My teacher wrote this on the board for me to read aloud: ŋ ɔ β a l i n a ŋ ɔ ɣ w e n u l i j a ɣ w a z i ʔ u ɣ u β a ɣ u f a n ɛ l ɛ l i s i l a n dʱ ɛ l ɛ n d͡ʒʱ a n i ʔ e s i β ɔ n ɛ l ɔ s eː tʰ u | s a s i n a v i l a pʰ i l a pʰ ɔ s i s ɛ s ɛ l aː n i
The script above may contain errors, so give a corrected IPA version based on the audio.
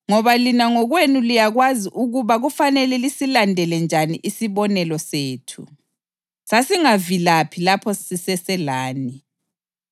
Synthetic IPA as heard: ŋ ɔ β a l i n a ŋ ɔ ɣ w e n u l i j a ɣ w a z i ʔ u ɣ u β a ɣ u f a n ɛ l ɛ l i s i l a n dʱ ɛ l ɛ n d͡ʒʱ a n i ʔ i s i β ɔ n ɛ l ɔ s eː tʰ u | s a s i ŋ a v i l a pʰ i l a pʰ ɔ s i s ɛ s ɛ l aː n i